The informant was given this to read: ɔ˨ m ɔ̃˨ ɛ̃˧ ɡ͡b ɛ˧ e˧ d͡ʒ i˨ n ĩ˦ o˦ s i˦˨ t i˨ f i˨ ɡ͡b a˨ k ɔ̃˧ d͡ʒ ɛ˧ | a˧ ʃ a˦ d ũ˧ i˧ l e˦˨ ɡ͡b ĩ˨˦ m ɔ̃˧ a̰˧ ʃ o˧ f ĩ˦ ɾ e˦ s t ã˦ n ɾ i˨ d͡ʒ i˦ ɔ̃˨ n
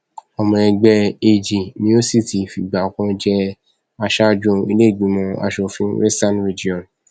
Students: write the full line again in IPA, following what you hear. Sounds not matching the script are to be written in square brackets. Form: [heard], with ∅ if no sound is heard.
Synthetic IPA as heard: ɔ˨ m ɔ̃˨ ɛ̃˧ ɡ͡b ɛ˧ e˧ d͡ʒ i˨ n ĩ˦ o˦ s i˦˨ t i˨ f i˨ ɡ͡b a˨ k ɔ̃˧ d͡ʒ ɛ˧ | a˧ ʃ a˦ [d͡ʒ] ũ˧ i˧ l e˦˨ ɡ͡b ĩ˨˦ m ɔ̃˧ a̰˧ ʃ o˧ f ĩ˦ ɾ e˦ s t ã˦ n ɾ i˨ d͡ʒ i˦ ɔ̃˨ n